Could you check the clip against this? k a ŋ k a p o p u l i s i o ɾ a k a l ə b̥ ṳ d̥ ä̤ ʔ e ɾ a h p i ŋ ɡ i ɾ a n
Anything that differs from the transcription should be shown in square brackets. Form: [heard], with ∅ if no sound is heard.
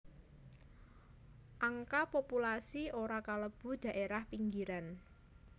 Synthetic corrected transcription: [ʔ] a ŋ k a p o p u l [a] s i o ɾ a k a l ə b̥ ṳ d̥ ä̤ ʔ e ɾ a h p i ŋ ɡ i ɾ a n

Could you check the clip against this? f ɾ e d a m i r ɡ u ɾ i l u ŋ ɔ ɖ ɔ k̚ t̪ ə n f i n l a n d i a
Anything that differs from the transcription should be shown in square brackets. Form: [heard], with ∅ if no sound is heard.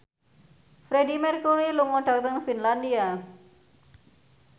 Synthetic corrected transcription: f ɾ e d [i] m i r [k] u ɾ i l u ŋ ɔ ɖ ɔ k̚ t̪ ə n f i n l a n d i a

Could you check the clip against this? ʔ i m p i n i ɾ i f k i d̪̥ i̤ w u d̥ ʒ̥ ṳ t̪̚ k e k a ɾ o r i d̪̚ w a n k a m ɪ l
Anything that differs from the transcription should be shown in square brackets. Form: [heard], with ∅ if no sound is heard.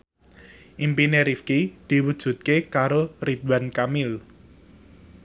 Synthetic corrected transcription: ʔ i m p i n [e] ɾ i f k i d̪̥ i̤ w u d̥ ʒ̥ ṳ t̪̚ k e k a ɾ o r i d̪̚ w a n k a m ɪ l

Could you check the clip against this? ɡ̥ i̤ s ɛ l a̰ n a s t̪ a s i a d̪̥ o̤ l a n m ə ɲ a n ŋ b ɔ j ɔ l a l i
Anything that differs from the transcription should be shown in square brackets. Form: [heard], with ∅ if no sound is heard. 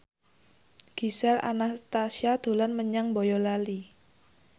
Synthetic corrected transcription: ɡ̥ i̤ s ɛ l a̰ n a s t̪ a s i a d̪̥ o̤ l a n m ə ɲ a [∅] ŋ b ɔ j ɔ l a l i

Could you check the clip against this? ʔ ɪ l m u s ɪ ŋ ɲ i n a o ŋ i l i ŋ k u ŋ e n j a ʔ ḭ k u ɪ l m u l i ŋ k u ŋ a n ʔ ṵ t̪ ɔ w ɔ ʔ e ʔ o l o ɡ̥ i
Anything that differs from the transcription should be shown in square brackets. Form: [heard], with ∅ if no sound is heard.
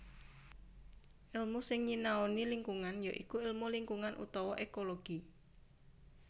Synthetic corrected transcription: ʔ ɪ l m u s ɪ ŋ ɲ i n a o [n] i l i ŋ k u ŋ [a] n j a ʔ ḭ k u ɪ l m u l i ŋ k u ŋ a n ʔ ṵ t̪ ɔ w ɔ ʔ e [k] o l o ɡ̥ i

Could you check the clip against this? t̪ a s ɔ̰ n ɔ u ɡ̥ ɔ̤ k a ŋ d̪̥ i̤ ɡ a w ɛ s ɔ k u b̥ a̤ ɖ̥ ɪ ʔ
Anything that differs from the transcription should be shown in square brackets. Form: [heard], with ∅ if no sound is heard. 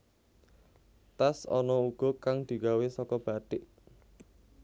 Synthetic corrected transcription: t̪ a s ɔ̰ n ɔ u ɡ̥ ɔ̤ k a ŋ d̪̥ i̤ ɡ a w [e] s ɔ k [ɔ] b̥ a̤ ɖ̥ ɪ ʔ

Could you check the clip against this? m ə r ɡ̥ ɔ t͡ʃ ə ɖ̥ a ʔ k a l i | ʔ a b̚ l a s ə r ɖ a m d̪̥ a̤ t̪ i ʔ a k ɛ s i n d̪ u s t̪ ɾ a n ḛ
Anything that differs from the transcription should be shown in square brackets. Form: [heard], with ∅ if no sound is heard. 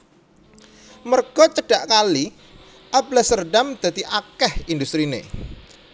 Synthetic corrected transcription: m ə r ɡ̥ ɔ t͡ʃ ə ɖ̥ a ʔ k a l i | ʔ a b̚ l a s ə r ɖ a m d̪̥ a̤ t̪ i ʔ a k ɛ [h] i n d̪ u s t̪ ɾ [i] n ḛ

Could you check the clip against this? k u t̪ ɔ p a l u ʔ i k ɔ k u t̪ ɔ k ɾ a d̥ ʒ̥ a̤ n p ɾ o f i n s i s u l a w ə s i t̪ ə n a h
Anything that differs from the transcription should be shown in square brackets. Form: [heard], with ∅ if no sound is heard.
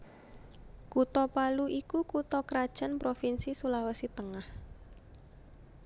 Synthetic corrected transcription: k u t̪ ɔ p a l u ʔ i k [u] k u t̪ ɔ k ɾ a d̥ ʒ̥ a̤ n p ɾ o f i n s i s u l a w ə s i t̪ ə [ŋ] a h

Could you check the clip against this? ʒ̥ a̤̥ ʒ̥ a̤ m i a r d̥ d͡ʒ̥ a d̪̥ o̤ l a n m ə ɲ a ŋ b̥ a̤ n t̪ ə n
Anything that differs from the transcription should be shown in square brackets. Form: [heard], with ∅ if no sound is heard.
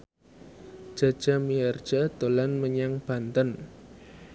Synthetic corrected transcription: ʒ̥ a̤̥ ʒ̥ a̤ m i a r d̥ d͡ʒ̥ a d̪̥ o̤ l a n m ə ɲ a ŋ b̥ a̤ n t̪ ə n

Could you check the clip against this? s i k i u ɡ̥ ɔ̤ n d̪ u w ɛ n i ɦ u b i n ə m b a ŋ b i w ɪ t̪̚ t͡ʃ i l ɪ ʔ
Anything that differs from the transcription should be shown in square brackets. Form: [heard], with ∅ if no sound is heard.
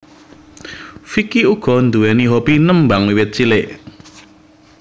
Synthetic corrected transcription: [f] i k i u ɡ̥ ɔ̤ n d̪ u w ɛ n i ɦ [o] b i n ə m b a ŋ [w] i w ɪ t̪̚ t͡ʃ i l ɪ ʔ

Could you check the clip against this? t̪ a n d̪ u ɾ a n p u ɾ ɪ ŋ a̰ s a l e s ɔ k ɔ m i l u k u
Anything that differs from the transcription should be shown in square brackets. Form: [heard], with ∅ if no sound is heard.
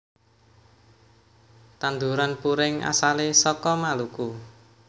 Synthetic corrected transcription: t̪ a n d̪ u ɾ a n p u ɾ ɪ ŋ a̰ s a l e s ɔ k ɔ m [a] l u k u

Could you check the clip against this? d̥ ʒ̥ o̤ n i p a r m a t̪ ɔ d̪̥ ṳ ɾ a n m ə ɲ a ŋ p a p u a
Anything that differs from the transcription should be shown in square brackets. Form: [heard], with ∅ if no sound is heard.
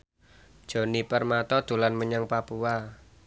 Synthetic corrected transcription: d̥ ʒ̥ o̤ n i p [ə] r m a t̪ ɔ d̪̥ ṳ [l] a n m ə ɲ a ŋ p a p u a

